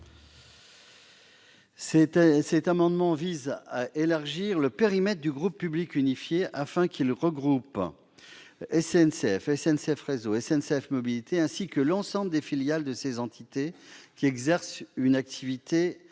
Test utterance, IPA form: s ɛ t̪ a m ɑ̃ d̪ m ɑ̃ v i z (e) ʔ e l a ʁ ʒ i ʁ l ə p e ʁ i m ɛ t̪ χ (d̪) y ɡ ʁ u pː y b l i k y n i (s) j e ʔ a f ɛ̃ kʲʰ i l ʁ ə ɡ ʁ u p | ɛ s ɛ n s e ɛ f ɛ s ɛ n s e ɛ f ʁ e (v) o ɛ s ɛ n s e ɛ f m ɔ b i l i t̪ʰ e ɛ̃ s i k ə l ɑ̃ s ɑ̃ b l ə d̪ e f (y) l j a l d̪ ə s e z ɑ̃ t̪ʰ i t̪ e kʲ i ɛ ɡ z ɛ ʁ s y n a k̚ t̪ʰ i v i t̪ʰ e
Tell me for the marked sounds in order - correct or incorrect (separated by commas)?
incorrect, correct, incorrect, incorrect, incorrect